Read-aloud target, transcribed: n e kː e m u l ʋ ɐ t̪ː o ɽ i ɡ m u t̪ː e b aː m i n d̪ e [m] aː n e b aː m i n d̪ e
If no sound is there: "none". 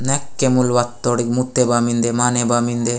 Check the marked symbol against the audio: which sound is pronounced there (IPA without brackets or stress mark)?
m